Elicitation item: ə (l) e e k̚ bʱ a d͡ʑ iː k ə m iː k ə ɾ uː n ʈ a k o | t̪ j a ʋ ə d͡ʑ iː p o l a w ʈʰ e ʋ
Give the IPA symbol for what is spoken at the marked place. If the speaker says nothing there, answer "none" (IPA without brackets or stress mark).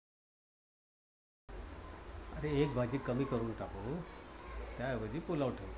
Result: ɾ